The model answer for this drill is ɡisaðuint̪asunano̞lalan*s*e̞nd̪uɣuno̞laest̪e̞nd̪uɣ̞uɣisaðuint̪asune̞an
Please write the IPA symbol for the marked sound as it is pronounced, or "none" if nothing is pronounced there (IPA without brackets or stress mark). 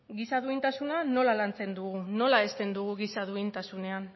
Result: t͡s